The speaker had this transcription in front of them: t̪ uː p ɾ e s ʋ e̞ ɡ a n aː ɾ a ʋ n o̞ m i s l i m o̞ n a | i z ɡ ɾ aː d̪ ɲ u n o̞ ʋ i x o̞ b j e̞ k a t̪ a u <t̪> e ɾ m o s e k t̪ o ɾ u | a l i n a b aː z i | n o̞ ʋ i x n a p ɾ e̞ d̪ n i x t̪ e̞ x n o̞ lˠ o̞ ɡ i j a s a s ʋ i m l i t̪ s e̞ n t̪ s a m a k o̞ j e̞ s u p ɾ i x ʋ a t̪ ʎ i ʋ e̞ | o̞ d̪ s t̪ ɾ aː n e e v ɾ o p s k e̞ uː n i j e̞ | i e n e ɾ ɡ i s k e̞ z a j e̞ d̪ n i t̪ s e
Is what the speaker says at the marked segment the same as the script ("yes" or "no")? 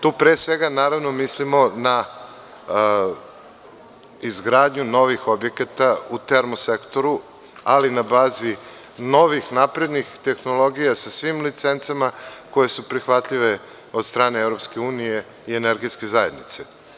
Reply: yes